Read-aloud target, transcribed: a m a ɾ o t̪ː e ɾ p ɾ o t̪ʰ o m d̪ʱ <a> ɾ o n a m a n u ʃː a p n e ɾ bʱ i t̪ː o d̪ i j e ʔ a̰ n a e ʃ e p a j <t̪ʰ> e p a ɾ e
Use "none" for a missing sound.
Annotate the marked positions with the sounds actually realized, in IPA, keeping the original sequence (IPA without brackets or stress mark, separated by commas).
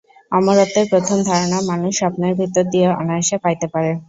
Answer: a, t̪